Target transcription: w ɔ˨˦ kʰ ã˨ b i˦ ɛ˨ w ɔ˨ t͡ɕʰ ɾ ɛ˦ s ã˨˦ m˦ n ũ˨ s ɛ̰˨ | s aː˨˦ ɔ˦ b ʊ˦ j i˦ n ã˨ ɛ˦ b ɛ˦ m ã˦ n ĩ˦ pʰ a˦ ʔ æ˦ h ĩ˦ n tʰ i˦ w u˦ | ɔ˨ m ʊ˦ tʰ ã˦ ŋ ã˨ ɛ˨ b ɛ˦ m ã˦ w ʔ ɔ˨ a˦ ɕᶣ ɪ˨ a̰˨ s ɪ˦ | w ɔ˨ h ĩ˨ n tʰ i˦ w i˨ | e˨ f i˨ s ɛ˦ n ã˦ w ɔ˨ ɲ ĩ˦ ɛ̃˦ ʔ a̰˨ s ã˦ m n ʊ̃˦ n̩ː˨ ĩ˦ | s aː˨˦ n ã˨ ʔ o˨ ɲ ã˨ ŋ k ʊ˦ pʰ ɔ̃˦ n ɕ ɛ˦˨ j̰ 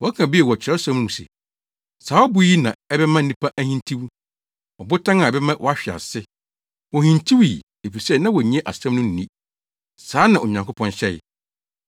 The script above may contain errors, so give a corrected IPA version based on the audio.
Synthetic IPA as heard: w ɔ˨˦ kʰ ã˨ b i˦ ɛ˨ w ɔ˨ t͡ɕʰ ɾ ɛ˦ s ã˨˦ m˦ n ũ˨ s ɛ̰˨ | s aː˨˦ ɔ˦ b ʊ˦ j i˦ n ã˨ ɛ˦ b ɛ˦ m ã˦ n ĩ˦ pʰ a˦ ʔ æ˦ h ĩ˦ n tʰ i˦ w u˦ | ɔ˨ b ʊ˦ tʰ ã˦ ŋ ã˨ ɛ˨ b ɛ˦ m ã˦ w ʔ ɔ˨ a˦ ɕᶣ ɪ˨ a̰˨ s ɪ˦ | w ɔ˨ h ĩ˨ n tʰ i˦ w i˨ | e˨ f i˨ s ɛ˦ n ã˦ w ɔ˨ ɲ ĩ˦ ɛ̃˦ ʔ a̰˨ s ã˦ m n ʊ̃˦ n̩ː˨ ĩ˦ | s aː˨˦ n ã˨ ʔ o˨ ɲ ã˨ ŋ k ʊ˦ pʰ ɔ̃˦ n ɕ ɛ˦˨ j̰